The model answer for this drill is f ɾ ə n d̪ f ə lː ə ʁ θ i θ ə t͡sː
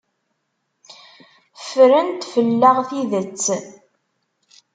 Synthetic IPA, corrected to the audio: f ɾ ə n t̪ f ə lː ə ʁ θ i ð ə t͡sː